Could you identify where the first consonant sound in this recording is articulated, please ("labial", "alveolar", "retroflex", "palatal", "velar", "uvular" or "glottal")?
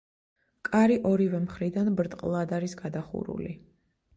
velar